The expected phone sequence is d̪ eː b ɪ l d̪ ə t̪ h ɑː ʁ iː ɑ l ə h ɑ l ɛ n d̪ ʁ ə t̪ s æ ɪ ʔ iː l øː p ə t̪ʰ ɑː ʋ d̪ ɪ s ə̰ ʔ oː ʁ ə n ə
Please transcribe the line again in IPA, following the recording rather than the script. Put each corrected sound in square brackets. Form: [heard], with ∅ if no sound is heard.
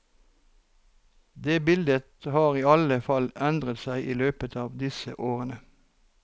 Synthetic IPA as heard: d̪ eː b ɪ l d̪ ə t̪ h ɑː ʁ iː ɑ l ə [f] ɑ l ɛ n d̪ ʁ ə t̪ s æ ɪ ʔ iː l øː p ə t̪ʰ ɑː ʋ d̪ ɪ s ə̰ ʔ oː ʁ ə n ə